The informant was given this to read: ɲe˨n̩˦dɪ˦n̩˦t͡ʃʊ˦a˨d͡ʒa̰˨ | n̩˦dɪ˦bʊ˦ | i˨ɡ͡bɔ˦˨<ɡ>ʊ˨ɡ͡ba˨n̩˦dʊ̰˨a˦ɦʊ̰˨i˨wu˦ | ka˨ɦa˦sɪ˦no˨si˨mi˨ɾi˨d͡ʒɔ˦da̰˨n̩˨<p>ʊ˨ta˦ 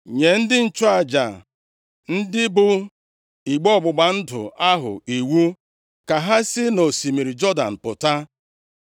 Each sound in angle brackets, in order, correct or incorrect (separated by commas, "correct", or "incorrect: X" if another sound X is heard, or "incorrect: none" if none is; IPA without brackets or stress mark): incorrect: ɡ͡b, correct